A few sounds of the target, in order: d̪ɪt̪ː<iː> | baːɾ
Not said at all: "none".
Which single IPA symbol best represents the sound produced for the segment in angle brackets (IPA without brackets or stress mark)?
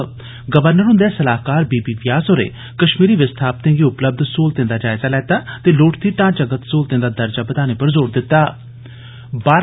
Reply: aː